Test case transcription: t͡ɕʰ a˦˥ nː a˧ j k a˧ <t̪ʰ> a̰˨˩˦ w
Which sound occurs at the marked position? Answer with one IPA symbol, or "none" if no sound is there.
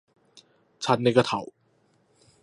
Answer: t̪ʰ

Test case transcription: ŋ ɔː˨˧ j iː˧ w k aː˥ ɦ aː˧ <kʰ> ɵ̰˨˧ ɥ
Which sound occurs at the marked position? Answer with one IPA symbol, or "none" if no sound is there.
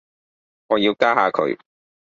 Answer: kʰ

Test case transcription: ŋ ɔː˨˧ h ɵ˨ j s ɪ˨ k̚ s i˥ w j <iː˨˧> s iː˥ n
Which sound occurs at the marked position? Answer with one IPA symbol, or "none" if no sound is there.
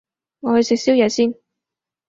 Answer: ɛː˨˧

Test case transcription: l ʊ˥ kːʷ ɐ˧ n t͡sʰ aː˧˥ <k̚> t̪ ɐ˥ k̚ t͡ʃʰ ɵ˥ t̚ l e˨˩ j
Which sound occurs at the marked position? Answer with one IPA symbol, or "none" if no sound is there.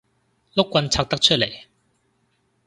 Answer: k̚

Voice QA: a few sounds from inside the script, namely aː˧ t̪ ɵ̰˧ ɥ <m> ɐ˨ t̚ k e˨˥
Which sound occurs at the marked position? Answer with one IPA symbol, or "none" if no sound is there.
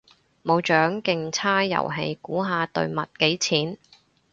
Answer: m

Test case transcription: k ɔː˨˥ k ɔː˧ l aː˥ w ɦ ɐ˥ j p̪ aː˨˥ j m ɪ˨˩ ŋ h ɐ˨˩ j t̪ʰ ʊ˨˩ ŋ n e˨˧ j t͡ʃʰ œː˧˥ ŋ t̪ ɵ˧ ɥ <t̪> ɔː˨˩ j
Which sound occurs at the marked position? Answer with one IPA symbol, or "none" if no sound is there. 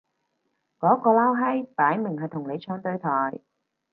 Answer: t̪ʰ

